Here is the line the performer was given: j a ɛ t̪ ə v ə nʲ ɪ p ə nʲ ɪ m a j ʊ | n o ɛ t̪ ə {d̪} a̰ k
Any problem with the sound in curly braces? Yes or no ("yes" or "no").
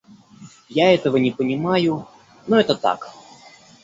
yes